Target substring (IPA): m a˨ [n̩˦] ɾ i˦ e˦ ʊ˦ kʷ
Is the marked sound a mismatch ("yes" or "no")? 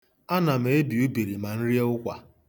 no